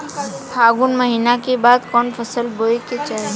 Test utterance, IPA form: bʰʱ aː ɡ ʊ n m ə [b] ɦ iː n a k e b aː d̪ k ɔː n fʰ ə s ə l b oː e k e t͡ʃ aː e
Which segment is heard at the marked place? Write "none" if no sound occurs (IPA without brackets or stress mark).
none